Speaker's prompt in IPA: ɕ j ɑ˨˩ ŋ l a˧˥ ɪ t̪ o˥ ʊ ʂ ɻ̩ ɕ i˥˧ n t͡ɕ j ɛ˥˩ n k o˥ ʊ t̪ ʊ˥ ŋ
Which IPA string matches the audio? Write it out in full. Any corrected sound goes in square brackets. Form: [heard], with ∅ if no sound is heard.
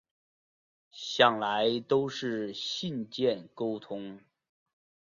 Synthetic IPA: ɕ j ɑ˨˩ ŋ l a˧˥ ɪ t̪ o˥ ʊ ʂ ɻ̩ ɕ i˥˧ n t͡ɕ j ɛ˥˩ n k o˥ ʊ [t̪ʰ] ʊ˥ ŋ